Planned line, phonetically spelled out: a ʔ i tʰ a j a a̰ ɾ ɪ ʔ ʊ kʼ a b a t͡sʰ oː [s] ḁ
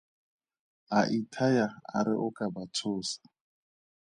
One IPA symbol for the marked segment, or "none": s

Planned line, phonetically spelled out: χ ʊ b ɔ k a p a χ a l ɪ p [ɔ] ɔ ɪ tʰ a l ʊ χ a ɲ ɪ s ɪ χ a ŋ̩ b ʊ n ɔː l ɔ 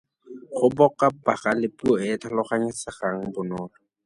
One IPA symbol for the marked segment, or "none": u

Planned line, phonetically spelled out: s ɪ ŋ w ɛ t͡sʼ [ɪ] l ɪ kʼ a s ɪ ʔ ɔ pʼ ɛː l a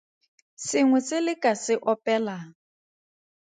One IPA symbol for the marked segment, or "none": ɪ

